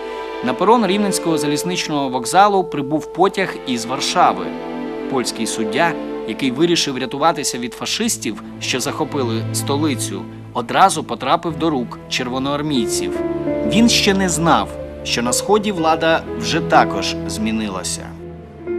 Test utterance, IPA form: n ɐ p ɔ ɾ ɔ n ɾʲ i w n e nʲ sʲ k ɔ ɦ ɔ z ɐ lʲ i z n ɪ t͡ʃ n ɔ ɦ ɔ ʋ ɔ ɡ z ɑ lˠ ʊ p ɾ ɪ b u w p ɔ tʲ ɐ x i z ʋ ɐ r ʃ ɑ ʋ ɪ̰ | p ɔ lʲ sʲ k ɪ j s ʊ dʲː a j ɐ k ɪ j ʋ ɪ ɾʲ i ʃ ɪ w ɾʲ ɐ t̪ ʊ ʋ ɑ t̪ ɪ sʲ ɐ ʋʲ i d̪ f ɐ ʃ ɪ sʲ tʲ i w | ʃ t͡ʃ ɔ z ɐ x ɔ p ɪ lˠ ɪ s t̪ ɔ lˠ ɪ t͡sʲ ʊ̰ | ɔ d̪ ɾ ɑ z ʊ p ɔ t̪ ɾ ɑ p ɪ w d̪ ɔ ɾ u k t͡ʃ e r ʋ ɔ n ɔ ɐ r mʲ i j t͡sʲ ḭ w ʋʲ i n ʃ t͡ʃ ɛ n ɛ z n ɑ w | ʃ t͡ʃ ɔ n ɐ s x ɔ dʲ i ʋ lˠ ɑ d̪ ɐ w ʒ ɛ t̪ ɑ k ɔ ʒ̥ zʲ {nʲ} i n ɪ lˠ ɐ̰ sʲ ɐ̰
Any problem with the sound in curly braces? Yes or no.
yes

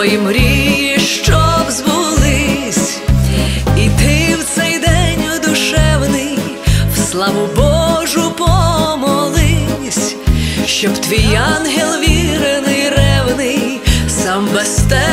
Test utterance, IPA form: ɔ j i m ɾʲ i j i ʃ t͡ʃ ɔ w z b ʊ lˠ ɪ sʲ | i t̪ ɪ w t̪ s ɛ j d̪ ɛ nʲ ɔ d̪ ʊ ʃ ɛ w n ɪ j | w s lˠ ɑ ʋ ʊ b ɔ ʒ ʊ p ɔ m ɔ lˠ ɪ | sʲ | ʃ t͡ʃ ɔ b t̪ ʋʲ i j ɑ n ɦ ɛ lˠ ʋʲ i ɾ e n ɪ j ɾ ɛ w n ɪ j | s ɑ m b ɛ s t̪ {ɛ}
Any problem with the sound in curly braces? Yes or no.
no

